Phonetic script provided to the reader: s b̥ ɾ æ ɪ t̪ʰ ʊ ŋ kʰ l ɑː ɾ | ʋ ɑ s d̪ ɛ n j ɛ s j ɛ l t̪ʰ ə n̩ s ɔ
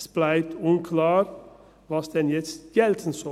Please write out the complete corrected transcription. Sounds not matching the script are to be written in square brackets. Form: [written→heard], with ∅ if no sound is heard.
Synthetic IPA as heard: s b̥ [ɾ→l] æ ɪ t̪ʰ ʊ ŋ kʰ l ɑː ɾ | ʋ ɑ s d̪ ɛ n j ɛ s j ɛ l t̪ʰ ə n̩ s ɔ